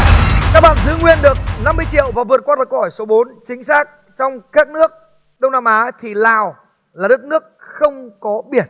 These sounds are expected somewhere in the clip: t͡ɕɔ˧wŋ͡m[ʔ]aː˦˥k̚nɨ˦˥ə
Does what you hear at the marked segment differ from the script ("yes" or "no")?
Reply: yes